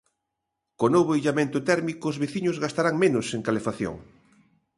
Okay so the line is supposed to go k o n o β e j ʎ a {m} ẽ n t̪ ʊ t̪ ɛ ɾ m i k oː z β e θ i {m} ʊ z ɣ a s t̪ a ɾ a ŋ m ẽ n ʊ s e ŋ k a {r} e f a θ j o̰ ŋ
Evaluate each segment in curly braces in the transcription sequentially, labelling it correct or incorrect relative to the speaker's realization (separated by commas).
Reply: correct, incorrect, incorrect